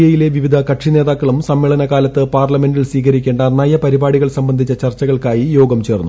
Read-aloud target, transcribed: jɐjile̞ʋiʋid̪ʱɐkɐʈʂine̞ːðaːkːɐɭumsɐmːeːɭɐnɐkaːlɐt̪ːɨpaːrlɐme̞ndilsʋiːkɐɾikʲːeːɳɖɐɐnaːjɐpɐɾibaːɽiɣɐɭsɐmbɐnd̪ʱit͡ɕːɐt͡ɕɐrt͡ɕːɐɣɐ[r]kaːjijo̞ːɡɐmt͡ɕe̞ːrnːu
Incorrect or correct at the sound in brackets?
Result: incorrect: ɭ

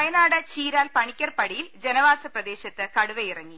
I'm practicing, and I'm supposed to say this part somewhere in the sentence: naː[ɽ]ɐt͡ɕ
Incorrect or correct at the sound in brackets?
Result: correct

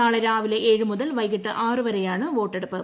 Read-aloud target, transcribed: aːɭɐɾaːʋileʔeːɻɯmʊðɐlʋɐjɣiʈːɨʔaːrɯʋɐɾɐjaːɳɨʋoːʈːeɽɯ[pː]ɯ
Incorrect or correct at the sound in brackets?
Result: correct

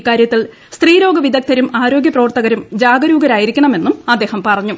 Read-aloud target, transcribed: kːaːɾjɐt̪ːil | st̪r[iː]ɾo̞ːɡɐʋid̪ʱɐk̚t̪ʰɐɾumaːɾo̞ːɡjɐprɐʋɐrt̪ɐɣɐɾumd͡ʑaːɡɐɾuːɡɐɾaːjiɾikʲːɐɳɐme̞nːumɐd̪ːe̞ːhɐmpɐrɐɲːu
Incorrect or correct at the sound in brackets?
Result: correct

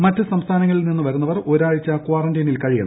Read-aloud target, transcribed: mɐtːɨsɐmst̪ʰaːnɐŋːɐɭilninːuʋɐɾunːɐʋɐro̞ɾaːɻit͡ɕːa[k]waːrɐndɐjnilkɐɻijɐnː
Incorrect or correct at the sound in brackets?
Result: correct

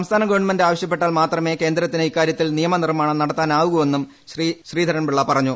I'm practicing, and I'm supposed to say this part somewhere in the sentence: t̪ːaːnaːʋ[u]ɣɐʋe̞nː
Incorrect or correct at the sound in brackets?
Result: correct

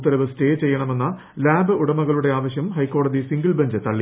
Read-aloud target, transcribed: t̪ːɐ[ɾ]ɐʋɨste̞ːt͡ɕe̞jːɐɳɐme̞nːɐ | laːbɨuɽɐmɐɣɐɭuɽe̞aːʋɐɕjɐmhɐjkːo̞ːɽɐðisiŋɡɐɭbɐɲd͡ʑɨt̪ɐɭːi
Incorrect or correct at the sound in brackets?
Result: correct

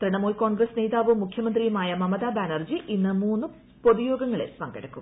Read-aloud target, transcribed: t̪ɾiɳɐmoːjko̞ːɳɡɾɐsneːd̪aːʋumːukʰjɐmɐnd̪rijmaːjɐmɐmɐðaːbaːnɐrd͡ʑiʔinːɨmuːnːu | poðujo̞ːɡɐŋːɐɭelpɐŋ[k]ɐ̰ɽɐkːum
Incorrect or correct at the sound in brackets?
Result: incorrect: ɡ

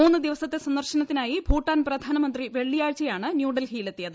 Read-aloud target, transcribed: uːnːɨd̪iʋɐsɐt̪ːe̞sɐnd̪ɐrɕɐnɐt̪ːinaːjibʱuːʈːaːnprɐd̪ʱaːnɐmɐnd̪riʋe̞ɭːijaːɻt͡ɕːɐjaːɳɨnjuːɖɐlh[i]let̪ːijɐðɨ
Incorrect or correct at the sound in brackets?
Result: incorrect: iː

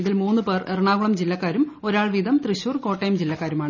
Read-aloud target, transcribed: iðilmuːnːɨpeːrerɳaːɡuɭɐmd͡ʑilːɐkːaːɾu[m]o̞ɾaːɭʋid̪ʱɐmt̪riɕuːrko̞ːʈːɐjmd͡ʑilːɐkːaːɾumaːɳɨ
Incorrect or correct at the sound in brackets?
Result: correct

